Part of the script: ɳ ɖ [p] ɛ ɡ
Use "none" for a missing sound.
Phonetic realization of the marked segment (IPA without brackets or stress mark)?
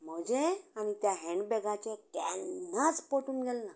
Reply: b